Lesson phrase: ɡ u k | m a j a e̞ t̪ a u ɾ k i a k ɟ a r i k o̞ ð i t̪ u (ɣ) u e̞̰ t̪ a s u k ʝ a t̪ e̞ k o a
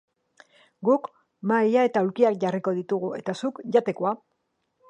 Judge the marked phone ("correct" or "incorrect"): correct